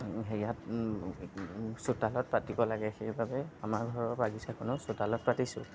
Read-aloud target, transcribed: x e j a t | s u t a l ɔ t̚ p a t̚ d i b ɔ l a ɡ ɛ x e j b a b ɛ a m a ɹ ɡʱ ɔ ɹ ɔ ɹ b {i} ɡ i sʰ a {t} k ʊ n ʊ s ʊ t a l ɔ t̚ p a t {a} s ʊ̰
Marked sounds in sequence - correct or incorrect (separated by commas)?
incorrect, incorrect, incorrect